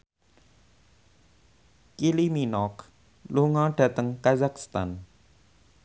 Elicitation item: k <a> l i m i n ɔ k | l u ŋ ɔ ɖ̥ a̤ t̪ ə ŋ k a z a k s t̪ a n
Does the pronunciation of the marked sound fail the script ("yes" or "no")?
yes